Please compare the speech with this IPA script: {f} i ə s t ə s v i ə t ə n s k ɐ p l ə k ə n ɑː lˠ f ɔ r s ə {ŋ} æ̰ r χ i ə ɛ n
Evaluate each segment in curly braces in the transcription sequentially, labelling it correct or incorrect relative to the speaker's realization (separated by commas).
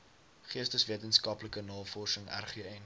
incorrect, correct